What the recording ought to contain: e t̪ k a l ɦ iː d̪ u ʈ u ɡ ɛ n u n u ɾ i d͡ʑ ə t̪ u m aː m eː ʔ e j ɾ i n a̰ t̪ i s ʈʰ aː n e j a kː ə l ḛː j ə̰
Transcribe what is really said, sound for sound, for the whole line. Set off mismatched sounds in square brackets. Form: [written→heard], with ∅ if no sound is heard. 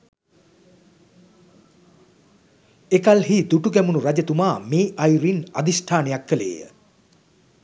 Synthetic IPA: e [t̪→∅] k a l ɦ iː d̪ u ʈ u ɡ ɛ [n→m] u n u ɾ [i→a] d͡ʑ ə t̪ u m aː m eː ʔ [e→a] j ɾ i n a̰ [t̪→d̪] i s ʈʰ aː n e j a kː ə l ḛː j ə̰